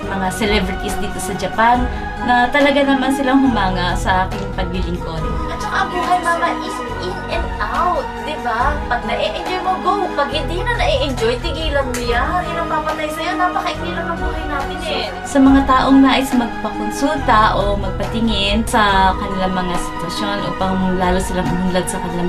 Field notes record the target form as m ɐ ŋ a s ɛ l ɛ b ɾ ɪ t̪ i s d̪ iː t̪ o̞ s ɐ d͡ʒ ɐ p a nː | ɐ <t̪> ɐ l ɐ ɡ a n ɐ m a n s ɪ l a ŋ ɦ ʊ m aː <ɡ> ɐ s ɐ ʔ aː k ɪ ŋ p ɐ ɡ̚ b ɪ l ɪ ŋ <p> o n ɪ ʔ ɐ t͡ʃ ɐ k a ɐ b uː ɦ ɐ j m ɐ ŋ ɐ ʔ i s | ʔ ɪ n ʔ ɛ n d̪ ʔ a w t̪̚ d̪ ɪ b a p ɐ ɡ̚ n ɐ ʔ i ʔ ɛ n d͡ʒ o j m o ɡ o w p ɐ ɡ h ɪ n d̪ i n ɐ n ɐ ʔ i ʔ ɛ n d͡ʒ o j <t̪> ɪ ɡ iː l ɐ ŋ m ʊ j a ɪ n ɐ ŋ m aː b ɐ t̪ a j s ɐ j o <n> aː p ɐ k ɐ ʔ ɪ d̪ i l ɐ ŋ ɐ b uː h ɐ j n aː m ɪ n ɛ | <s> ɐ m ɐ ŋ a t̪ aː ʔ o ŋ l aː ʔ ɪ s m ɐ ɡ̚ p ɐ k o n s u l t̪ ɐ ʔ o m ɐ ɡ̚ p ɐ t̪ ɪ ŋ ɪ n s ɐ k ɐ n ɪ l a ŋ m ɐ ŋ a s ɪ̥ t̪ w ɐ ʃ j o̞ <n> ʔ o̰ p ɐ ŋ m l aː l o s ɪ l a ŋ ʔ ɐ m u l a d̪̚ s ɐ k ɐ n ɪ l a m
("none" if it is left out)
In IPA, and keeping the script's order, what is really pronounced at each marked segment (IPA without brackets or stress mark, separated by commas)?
t̪, ŋ, k, t̪, n, s, n